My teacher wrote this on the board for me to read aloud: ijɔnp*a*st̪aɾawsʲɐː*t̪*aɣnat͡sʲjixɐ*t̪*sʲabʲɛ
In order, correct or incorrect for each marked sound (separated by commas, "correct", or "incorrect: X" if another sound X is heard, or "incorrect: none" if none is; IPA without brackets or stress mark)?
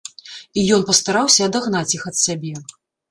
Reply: incorrect: ɐ, incorrect: d̪, correct